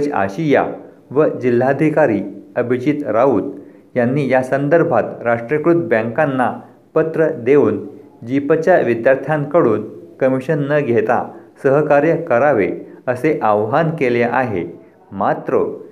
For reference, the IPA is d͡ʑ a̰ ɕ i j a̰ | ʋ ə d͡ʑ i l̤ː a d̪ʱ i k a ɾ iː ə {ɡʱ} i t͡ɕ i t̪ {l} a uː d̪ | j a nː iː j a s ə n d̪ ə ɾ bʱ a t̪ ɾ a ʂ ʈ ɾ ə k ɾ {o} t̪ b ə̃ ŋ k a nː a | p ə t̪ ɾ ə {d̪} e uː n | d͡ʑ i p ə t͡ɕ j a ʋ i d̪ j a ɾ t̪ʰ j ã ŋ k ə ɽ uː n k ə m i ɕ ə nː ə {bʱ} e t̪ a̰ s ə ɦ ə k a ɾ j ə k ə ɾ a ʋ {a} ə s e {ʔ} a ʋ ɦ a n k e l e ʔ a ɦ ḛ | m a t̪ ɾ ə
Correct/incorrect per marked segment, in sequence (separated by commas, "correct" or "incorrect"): incorrect, incorrect, incorrect, correct, incorrect, incorrect, correct